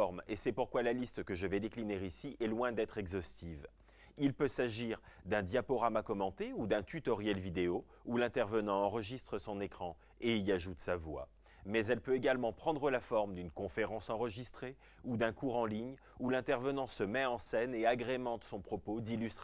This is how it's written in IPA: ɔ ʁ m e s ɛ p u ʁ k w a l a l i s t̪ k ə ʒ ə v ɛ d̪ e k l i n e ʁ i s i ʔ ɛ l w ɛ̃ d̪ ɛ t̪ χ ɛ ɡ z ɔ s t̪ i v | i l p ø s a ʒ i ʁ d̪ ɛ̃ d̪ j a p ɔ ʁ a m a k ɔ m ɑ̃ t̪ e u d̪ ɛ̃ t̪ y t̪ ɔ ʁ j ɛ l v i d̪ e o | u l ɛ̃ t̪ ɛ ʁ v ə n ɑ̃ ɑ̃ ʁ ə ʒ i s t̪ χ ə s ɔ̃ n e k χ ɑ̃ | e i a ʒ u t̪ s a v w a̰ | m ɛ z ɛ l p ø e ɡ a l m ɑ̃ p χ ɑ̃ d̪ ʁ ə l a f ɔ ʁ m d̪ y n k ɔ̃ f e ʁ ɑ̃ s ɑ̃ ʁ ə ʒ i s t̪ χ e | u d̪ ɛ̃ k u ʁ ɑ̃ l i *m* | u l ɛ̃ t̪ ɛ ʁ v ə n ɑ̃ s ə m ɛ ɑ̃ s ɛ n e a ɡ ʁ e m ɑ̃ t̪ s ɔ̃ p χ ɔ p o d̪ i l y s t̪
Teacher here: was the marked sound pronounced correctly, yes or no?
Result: no